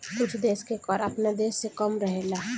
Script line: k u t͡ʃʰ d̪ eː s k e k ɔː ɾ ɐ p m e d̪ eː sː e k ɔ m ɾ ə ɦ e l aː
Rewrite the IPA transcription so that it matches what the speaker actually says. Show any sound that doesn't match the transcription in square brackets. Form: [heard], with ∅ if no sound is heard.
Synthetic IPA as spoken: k [ʊ] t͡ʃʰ d̪ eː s k e k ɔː ɾ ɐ p [n] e d̪ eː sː e k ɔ m ɾ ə ɦ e l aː